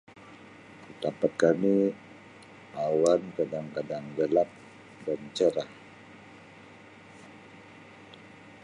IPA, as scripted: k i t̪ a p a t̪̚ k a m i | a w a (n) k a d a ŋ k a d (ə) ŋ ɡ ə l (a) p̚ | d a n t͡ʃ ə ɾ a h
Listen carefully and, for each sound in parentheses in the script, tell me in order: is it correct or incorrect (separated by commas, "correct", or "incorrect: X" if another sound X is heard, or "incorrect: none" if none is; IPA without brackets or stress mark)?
correct, incorrect: a, correct